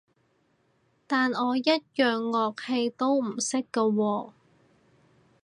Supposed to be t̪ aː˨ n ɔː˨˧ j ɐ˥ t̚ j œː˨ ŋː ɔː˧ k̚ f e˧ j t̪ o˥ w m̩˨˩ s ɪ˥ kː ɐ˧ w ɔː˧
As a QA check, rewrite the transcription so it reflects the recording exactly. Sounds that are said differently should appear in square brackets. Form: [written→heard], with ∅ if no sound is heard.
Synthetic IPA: t̪ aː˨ n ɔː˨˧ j ɐ˥ t̚ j œː˨ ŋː ɔː˧ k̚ [f→h] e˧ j t̪ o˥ w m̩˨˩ s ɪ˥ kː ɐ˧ w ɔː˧